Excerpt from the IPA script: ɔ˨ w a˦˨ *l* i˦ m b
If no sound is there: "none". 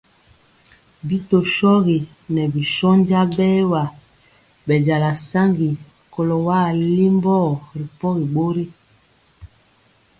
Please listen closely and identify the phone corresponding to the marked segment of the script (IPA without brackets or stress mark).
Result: l